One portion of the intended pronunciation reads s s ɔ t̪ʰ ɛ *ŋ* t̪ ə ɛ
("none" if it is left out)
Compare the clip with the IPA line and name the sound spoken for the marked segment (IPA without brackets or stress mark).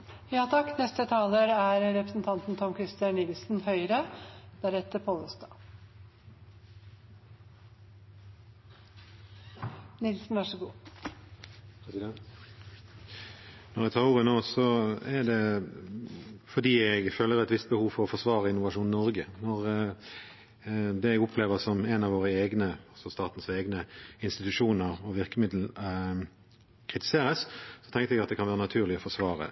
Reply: ŋ